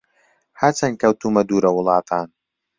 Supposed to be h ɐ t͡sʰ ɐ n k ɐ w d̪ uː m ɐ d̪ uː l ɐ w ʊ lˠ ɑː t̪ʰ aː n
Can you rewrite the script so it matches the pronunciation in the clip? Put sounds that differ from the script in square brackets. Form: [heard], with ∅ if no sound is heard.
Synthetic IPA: h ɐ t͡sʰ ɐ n k ɐ w [t̪] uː m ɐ d̪ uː [ɾ] ɐ w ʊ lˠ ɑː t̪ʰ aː n